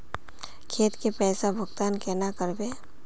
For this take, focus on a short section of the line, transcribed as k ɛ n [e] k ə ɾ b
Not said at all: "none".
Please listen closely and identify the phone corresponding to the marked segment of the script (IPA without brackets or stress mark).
a